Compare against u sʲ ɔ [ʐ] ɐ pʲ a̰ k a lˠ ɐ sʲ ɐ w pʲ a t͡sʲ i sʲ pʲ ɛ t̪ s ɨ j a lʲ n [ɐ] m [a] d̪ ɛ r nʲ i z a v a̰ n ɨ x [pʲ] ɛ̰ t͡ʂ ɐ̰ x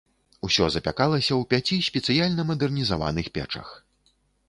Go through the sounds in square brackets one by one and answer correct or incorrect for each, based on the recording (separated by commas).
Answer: incorrect, correct, incorrect, correct